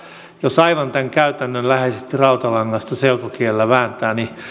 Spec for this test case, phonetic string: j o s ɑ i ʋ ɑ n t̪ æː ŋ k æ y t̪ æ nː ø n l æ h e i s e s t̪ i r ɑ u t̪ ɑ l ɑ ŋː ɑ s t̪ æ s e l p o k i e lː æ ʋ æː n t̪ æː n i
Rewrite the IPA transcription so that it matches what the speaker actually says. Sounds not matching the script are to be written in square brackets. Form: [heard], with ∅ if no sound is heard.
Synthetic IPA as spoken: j o s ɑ i ʋ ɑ n t̪ [æ] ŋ k æ y t̪ æ nː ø n l æ h e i s e s t̪ i r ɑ u t̪ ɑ l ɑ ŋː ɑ s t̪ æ s e l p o k i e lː æ ʋ æː n t̪ æː n i

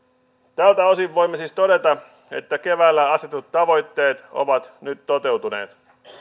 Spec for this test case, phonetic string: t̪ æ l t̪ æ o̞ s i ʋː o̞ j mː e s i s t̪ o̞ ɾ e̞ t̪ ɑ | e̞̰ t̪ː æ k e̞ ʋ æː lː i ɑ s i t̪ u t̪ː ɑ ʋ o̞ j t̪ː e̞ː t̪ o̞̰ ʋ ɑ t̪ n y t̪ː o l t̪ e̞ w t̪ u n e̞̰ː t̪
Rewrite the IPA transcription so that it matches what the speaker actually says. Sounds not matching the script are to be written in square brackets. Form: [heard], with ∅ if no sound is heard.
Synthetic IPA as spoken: t̪ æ l t̪ æ o̞ s i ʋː o̞ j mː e s i s t̪ o̞ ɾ e̞ t̪ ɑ | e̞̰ t̪ː æ k e̞ ʋ æː lː [æ] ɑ s [e] t̪ u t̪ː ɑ ʋ o̞ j t̪ː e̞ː t̪ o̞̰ ʋ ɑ t̪ n y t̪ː o [∅] t̪ e̞ w t̪ u n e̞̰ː t̪

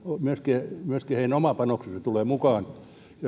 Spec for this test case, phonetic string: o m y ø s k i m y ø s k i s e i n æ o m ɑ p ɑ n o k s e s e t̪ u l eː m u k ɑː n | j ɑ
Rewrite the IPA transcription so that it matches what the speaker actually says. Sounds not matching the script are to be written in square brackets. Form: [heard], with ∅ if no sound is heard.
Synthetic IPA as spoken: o m y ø s k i m y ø s k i [h] e i n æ o m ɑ p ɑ n o k s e s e t̪ u l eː m u k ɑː n | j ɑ

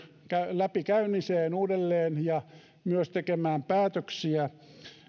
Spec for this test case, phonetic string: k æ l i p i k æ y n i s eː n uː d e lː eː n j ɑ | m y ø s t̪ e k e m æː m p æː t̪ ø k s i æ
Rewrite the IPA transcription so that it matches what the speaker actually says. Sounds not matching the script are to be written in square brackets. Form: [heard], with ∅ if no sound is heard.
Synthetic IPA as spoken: k æ l [æ] p i k æ y n i s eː n uː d e lː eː n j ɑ | m y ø s t̪ e k e m æː m p æː t̪ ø k s i æ

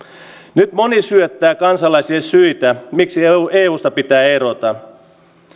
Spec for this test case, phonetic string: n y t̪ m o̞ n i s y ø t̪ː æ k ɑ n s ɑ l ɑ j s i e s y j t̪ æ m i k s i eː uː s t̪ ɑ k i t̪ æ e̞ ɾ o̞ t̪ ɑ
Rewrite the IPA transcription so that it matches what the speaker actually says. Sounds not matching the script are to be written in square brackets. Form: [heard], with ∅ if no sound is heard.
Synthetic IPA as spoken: n y t̪ m o̞ n i s y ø t̪ː [æː] k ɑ n s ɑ l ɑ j s i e s y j t̪ æ m i k s i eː uː s t̪ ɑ [p] i t̪ [æː] e̞ ɾ o̞ t̪ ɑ

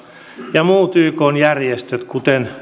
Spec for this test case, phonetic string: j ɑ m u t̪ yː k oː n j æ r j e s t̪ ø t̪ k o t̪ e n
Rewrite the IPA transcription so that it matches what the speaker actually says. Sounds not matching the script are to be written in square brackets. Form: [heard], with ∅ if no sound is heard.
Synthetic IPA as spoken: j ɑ m [uː] t̪ yː k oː n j æ r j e s t̪ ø t̪ k [u] t̪ e n

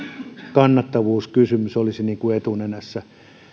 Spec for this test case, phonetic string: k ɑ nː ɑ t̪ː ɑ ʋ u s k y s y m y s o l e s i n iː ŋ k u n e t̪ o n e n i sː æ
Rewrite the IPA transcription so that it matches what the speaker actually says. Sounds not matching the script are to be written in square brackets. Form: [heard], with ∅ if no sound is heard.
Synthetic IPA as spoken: k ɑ nː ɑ t̪ː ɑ ʋ [uː] s k y s y m y s o l [i] s i n iː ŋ k u [∅] e t̪ [u] n e n [æ] sː æ

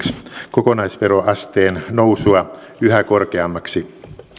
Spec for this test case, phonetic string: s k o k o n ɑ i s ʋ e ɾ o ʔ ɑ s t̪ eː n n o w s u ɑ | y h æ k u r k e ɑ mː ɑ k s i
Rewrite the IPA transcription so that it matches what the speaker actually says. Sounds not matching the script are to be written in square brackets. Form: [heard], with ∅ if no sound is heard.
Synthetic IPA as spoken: s k o k o n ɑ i s ʋ e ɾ o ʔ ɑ s t̪ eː n n o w s u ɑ | y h æ k [o] r k e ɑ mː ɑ k s i

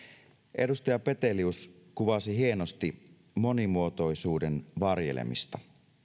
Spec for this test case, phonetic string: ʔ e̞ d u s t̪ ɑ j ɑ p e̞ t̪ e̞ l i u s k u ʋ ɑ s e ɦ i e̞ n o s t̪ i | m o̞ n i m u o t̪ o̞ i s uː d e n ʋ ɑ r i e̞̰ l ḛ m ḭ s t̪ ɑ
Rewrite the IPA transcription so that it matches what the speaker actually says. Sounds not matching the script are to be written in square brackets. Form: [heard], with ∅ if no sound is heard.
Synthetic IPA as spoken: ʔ e̞ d u s t̪ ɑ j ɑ p e̞ t̪ e̞ l i u s k u ʋ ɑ s [i] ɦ i e̞ n o s t̪ i | m o̞ n i m u o t̪ o̞ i s uː d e n ʋ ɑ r [j] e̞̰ l ḛ m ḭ s t̪ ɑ

